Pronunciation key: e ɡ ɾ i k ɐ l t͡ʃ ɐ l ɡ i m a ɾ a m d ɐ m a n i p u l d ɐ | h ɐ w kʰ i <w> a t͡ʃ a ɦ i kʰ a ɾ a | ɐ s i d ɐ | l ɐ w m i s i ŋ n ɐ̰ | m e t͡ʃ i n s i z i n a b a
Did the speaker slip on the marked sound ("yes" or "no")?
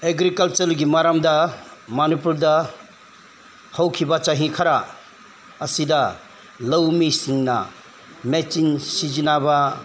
yes